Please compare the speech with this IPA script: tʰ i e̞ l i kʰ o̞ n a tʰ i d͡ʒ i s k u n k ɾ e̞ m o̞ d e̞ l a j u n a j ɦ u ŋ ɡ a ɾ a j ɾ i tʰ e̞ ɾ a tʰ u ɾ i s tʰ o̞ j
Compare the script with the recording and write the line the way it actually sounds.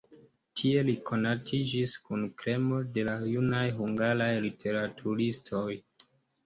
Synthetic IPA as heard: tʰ i e̞ l i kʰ o̞ n a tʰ i d͡ʒ i s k u n k ɾ e̞ m o̞ d e̞ l a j u n a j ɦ u ŋ ɡ a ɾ a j l i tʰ e̞ ɾ a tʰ u ɾ i s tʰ o̞ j